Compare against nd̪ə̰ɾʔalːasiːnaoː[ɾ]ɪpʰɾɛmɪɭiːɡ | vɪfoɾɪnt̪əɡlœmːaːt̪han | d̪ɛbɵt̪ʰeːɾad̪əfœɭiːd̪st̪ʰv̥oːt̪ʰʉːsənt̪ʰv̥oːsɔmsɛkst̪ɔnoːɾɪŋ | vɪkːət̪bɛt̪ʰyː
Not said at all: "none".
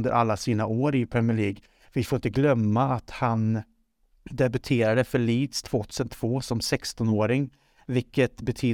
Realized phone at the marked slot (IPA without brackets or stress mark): ɾ